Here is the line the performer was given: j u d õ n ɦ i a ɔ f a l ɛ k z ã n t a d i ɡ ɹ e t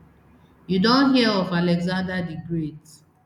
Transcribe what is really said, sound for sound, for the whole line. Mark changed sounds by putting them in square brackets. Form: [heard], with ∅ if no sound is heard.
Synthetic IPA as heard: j u d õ n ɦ i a ɔ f a l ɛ [ɡ] z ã n [d] a d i ɡ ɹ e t